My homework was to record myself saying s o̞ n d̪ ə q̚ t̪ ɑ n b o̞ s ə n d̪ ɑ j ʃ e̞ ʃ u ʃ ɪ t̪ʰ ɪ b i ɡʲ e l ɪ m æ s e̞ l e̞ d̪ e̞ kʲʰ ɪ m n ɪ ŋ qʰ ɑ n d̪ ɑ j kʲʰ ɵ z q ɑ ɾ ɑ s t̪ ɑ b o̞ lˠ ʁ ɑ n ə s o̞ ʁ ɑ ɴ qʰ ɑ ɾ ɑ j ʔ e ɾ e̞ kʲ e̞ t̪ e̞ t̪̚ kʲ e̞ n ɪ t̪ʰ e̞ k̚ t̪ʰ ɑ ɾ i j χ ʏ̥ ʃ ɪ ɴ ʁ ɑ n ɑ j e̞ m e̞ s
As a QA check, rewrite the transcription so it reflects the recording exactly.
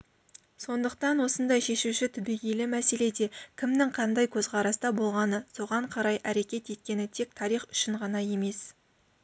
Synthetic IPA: s o̞ n d̪ ə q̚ t̪ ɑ n w o̞ s ə n d̪ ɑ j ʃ e̞ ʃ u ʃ ɪ t̪ʰ ɪ b i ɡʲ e l ɪ m æ s e̞ l e̞ d̪ e̞ kʲʰ ɪ m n ɪ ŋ qʰ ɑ n d̪ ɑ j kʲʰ ɵ z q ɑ ɾ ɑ s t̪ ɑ b o̞ lˠ ʁ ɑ n ə s o̞ ʁ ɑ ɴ qʰ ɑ ɾ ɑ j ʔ æ ɾ e̞ kʲ e̞ t̪ e̞ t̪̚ kʲ e̞ n ɪ t̪ʰ e̞ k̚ t̪ʰ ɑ ɾ i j χ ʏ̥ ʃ ɪ ɴ ʁ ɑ n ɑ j e̞ m e̞ s